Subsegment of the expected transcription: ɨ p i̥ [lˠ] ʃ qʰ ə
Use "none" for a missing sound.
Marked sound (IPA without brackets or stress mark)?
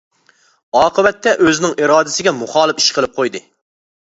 none